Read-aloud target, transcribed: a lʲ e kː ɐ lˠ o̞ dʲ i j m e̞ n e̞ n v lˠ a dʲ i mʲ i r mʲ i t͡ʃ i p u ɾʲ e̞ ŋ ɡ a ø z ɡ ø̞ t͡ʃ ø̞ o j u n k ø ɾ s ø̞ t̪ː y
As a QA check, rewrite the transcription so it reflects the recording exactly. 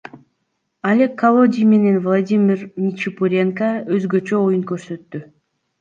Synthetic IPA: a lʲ e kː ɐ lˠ o̞ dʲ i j m e̞ n e̞ n v lˠ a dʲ i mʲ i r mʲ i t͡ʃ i p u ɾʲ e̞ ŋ k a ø z ɡ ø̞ t͡ʃ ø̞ o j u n k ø ɾ s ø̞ t̪ː y